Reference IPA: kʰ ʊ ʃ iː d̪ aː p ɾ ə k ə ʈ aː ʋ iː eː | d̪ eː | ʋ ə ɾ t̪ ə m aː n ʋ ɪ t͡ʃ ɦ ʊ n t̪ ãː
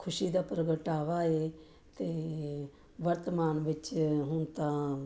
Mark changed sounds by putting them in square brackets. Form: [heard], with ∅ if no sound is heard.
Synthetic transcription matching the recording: kʰ ʊ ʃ iː d̪ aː p ɾ ə [ɡ] ə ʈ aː ʋ [aː] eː | [t̪] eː | ʋ ə ɾ t̪ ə m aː n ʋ ɪ t͡ʃ ɦ ʊ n t̪ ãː